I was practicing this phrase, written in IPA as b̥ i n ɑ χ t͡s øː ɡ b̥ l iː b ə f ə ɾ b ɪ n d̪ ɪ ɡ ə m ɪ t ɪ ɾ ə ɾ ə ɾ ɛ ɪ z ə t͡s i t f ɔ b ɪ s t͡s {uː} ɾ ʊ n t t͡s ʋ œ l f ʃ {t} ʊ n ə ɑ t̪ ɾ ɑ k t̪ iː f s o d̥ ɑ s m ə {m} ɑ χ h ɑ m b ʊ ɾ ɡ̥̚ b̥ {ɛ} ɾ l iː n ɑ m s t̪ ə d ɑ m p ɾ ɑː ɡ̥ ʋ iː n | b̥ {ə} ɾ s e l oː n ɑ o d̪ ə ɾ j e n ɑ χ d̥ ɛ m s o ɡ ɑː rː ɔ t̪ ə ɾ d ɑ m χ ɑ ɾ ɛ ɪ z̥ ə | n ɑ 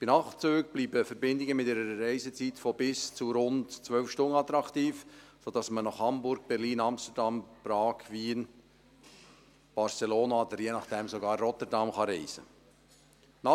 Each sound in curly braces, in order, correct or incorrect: incorrect: u, correct, incorrect: n, correct, incorrect: ɑ

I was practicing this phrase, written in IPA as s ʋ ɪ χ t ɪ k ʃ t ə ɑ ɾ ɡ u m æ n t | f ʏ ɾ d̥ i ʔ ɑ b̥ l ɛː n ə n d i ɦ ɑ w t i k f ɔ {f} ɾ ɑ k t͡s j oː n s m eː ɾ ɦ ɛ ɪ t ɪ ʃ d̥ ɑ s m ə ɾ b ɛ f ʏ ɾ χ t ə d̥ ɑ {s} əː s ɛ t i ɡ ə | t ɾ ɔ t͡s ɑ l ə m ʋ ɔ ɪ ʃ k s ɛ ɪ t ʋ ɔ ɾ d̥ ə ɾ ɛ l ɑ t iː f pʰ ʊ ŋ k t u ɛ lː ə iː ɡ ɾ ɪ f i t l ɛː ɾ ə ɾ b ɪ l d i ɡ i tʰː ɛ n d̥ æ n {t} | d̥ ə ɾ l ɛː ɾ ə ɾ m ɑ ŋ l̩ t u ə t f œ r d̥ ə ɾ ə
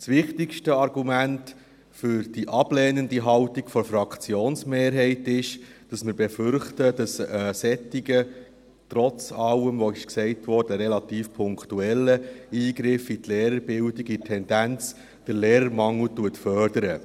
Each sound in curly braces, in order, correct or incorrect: correct, correct, incorrect: t͡s

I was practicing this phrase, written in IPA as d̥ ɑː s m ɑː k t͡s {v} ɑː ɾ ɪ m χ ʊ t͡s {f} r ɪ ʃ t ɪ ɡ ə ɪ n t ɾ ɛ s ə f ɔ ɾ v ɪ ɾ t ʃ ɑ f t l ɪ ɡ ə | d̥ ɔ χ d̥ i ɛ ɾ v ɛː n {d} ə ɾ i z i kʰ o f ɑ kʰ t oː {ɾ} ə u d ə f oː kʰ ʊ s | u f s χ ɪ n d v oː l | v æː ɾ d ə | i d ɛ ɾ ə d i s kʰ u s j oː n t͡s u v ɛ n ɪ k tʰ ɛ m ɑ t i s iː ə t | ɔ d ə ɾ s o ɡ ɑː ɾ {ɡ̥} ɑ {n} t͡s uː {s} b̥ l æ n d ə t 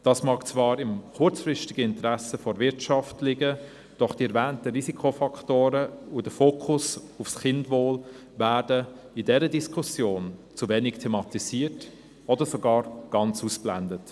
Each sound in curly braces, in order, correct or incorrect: correct, correct, incorrect: t, correct, correct, correct, correct

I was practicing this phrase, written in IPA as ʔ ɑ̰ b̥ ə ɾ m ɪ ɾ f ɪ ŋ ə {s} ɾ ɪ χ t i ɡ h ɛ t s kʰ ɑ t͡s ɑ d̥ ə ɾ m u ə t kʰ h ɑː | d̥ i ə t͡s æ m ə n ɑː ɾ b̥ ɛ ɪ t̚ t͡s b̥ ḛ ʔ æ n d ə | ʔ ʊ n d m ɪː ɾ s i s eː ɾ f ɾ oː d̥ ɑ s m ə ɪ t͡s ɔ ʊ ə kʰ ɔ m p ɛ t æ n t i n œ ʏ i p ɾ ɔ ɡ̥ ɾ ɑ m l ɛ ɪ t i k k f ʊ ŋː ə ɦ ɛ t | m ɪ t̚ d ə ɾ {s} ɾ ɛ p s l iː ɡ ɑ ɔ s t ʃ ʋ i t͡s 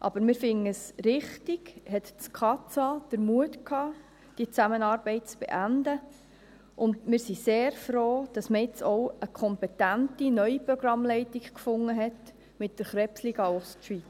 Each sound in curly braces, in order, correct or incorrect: correct, incorrect: χ

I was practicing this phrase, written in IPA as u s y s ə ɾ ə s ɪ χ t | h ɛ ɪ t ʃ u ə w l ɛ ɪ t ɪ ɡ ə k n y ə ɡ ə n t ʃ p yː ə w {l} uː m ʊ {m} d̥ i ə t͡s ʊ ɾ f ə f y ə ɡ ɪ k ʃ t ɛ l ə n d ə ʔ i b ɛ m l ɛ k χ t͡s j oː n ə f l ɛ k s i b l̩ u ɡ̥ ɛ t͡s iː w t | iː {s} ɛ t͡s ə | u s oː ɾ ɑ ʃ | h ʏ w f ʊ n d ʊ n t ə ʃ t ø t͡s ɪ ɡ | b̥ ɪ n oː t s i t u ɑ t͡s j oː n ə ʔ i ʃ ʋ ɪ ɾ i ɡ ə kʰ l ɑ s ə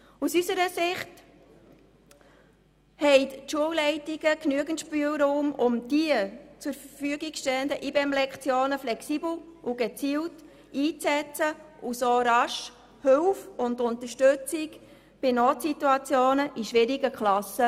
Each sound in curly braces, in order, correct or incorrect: incorrect: ɾ, correct, incorrect: t͡s

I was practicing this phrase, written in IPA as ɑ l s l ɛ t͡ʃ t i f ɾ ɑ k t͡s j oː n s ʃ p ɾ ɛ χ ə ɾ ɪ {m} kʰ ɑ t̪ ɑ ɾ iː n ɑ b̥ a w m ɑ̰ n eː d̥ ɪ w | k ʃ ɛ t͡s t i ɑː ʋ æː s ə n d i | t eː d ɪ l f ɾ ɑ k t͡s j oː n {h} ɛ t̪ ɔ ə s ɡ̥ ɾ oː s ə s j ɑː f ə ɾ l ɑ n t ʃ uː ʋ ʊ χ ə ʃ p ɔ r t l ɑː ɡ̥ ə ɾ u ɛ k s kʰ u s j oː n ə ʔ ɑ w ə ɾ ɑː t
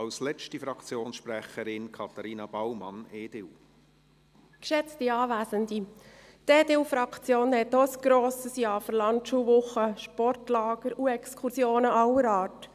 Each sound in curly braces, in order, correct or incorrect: incorrect: n, correct

